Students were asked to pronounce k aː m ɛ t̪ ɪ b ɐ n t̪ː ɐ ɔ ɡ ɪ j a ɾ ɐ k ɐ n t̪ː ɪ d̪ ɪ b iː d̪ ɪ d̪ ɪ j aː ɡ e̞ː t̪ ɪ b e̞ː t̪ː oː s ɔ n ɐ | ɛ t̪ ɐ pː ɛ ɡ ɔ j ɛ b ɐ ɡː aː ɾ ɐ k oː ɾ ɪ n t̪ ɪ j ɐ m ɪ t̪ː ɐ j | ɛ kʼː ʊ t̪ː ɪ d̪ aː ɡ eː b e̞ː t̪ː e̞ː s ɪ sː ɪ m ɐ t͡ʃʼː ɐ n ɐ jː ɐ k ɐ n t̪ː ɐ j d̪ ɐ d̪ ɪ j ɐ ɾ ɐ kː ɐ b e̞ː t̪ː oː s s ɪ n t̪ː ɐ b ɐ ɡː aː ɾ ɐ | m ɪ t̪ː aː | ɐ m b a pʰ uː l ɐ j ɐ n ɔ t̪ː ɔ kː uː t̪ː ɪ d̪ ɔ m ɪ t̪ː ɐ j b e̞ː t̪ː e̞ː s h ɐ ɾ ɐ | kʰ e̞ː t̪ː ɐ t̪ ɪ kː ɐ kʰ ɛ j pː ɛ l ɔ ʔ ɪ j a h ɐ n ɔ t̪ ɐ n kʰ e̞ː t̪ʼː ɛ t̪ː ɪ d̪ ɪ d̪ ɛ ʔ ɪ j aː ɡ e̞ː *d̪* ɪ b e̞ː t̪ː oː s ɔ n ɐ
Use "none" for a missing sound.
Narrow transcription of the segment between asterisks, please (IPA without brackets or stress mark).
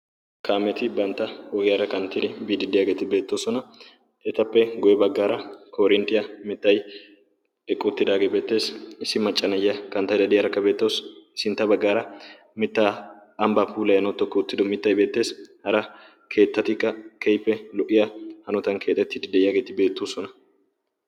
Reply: t̪